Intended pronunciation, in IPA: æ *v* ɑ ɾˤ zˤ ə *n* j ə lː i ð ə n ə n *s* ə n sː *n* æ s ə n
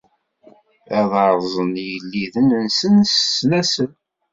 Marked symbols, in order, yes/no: no, yes, yes, yes

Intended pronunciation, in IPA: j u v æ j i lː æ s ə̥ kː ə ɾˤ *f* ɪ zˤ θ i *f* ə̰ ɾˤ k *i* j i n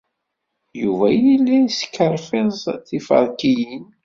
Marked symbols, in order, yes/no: yes, yes, yes

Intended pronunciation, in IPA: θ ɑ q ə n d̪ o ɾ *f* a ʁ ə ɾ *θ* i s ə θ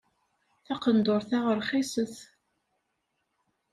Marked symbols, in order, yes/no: no, no

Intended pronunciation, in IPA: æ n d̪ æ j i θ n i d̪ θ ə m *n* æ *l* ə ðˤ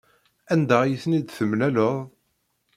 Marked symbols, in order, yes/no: yes, yes

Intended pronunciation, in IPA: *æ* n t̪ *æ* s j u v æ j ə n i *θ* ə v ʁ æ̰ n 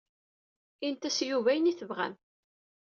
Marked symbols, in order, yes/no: no, yes, yes

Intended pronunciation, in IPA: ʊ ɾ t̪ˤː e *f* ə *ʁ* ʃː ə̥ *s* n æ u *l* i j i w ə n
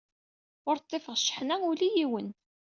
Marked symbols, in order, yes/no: yes, yes, no, yes

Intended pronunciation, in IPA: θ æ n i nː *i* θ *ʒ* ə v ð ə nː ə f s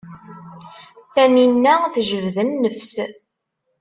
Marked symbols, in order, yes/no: no, yes

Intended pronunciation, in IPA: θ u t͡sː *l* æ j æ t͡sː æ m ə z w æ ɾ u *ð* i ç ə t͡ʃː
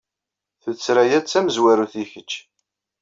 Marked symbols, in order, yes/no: no, no

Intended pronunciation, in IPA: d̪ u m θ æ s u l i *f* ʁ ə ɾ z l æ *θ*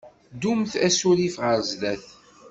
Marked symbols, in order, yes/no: yes, yes

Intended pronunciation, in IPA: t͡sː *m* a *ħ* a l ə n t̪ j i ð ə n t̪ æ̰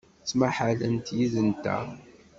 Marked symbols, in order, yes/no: yes, yes

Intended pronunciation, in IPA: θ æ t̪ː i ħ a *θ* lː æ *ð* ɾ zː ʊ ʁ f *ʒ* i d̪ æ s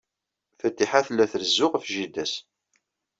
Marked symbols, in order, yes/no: yes, no, yes

